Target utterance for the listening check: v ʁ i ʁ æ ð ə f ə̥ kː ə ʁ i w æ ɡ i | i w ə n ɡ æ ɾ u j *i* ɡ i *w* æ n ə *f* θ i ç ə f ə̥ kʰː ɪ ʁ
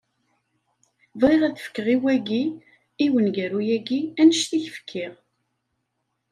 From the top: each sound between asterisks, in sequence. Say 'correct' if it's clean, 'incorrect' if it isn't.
incorrect: æ, incorrect: none, incorrect: ʃ

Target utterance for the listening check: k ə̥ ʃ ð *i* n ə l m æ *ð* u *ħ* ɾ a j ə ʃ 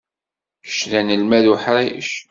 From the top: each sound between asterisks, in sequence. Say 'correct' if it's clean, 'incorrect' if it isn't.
incorrect: æ, correct, correct

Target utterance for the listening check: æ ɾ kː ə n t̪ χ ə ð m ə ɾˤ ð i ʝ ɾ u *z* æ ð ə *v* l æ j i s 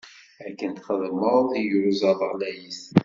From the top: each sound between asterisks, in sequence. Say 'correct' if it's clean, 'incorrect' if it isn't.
correct, incorrect: ʁ

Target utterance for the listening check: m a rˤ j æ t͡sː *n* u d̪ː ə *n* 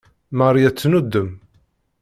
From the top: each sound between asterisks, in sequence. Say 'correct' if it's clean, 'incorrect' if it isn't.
correct, incorrect: m

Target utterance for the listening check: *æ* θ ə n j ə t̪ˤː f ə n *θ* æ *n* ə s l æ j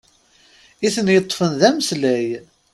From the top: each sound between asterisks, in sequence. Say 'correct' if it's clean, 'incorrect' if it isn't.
incorrect: i, incorrect: ð, incorrect: m

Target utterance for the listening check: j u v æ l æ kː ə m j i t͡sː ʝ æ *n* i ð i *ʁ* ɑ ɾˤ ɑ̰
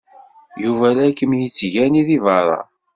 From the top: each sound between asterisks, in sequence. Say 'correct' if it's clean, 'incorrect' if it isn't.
correct, incorrect: v

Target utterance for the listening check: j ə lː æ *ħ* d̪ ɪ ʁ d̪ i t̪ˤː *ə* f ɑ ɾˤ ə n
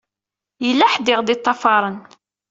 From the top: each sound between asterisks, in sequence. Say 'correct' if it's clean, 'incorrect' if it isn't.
correct, incorrect: ɑ

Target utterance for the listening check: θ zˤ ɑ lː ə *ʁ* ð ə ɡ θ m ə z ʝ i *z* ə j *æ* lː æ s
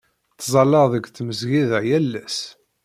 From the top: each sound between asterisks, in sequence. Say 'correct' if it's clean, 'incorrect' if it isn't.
correct, incorrect: ð, correct

